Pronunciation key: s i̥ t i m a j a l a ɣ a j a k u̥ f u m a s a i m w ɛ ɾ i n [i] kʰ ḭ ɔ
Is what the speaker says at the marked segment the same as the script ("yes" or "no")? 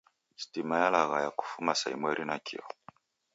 no